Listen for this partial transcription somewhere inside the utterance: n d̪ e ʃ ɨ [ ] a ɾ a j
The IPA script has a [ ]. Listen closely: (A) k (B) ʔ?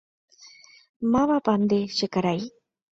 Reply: A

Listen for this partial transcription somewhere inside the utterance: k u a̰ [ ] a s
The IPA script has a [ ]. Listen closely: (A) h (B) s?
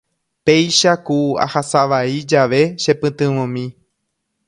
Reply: A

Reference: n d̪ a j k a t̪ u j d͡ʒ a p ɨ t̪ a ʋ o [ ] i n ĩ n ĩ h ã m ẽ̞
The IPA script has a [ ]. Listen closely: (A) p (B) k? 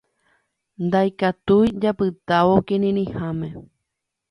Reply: B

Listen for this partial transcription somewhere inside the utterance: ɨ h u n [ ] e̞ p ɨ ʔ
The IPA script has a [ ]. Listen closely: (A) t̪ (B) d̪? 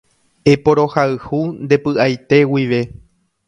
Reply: B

